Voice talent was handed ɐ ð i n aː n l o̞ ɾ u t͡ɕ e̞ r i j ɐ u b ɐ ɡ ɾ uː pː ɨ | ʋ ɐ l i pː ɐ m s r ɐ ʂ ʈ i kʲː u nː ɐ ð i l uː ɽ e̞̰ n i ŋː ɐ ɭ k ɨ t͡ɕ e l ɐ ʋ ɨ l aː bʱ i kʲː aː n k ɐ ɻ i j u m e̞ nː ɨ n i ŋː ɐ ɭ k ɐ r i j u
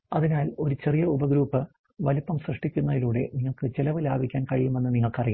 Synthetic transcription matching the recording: ɐ ð i n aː l o̞ ɾ u t͡ɕ e̞ r i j ɐ u b ɐ ɡ ɾ uː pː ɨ | ʋ ɐ l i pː ɐ m s r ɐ ʂ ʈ i kʲː u nː ɐ ð i l uː ɽ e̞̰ n i ŋː ɐ ɭ k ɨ t͡ɕ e l ɐ ʋ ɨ l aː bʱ i kʲː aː n k ɐ ɻ i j u m e̞ nː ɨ n i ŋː ɐ ɭ k ɐ r i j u